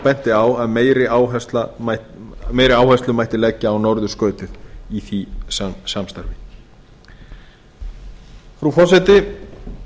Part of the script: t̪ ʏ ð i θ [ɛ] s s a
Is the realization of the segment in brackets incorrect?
yes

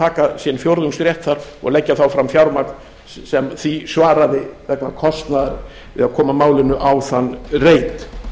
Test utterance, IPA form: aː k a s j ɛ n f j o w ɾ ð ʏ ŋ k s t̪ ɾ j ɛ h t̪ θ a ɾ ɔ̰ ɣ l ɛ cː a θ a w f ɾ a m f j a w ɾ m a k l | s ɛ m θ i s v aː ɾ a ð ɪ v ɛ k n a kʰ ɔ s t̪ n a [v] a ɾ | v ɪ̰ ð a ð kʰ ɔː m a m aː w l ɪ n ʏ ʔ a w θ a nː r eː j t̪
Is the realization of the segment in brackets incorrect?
yes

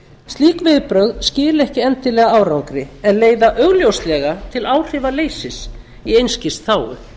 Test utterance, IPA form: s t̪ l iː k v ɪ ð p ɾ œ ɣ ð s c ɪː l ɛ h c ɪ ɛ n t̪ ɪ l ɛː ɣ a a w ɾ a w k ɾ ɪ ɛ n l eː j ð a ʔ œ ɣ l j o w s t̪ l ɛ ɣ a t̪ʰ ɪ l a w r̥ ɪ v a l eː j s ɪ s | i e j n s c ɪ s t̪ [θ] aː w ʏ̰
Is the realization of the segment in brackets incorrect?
no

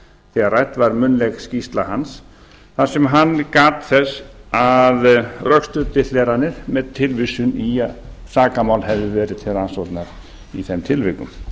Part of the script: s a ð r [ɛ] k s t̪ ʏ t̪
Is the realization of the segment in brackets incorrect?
yes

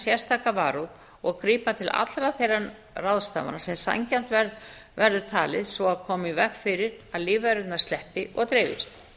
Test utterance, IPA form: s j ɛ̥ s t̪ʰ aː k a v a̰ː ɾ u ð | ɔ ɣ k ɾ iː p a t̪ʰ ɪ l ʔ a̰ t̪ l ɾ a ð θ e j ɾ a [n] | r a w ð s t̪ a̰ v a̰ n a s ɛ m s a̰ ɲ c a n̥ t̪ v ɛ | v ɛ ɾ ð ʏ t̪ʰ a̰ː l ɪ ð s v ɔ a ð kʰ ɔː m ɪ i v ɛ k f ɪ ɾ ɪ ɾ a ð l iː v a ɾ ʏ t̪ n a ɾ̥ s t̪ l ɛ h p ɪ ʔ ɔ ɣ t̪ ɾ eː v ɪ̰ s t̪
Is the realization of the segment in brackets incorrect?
no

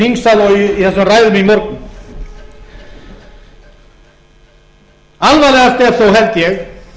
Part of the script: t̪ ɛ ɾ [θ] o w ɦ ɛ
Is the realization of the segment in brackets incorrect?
no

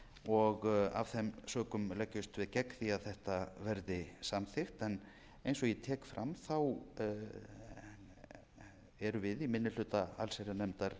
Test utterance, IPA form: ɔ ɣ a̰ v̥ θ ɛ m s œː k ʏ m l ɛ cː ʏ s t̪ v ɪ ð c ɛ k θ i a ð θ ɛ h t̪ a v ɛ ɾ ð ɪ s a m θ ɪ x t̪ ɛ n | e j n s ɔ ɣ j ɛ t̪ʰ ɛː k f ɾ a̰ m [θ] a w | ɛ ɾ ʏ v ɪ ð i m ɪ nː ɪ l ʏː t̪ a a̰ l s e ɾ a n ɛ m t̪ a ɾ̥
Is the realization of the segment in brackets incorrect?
no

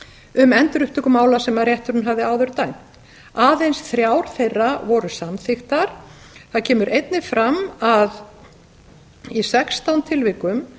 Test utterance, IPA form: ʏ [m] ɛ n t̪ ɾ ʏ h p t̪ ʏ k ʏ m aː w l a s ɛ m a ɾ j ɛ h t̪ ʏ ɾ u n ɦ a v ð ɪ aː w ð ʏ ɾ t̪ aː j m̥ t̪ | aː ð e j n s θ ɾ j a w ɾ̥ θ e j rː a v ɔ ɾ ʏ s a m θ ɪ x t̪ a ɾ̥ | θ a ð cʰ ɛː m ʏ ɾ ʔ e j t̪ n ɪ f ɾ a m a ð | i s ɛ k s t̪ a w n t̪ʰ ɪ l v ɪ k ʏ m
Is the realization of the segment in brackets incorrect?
no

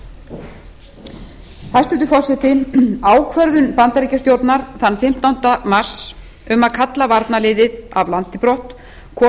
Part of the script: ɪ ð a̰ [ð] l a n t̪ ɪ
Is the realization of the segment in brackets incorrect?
yes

